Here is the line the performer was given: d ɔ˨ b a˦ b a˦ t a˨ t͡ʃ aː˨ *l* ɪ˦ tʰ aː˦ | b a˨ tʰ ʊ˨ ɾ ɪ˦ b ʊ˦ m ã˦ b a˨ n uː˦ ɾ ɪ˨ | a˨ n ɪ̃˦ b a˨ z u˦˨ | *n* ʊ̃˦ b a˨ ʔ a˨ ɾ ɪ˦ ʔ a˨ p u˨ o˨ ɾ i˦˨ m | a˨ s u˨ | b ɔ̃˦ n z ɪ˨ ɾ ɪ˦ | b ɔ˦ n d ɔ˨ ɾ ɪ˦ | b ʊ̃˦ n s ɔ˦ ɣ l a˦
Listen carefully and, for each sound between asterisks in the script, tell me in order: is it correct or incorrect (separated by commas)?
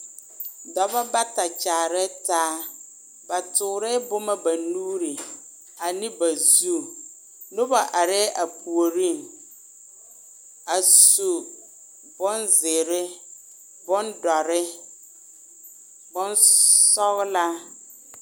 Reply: incorrect, correct